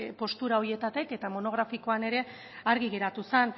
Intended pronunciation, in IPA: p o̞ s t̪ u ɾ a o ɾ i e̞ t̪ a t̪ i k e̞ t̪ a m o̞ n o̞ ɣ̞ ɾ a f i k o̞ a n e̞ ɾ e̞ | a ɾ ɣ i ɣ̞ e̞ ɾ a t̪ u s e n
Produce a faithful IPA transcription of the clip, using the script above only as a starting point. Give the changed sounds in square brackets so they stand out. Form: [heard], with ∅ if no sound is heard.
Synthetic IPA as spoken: p o̞ s t̪ u ɾ a o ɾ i e̞ t̪ a t̪ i k e̞ t̪ a m o̞ n o̞ ɣ̞ ɾ a f i k o̞ a n e̞ ɾ e̞ | a ɾ ɣ i ɣ̞ e̞ ɾ a t̪ u s e n